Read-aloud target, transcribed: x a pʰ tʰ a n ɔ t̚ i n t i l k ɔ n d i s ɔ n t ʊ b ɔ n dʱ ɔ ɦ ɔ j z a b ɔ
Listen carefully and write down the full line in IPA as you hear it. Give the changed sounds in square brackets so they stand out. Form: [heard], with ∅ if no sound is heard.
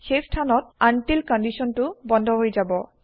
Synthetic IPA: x [e] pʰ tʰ a n ɔ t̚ [a] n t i l k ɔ n d i s ɔ n t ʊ b ɔ n dʱ ɔ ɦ [o] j z a b ɔ